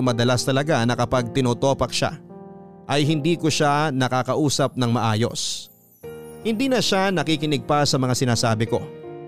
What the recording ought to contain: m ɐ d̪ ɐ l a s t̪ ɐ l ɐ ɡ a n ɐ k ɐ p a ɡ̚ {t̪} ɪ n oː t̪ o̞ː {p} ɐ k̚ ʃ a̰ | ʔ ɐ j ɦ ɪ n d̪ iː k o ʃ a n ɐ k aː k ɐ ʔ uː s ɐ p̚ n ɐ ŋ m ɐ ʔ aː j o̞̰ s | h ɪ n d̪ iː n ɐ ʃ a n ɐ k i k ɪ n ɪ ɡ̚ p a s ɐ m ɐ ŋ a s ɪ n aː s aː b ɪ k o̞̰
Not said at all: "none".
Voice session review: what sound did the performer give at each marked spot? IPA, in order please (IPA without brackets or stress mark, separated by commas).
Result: t̪, p